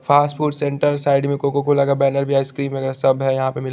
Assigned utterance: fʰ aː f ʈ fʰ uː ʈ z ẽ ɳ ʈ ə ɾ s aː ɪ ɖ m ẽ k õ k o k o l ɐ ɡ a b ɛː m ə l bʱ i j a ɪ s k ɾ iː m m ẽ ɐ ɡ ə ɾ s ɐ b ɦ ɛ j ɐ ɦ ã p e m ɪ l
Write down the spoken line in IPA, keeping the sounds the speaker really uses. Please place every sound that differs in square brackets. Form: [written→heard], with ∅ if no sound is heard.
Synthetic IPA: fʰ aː [f→s] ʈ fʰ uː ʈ [z→s] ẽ ɳ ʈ ə ɾ s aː ɪ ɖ m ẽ k [õ→o] k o k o l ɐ ɡ a b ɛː [m→n] ə [l→ɾ] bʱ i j a ɪ s k ɾ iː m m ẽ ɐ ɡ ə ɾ s ɐ b ɦ ɛ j ɐ ɦ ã p e m ɪ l